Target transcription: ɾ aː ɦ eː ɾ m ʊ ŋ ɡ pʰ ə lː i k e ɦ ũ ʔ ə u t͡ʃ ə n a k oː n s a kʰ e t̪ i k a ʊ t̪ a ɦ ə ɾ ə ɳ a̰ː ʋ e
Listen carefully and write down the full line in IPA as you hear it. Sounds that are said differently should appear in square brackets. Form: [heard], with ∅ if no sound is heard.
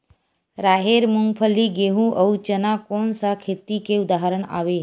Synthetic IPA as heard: ɾ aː ɦ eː ɾ m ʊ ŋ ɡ pʰ ə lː i [ɡ] e ɦ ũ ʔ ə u t͡ʃ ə n a k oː n s a kʰ e t̪ i k [e] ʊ [d̪] a ɦ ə ɾ ə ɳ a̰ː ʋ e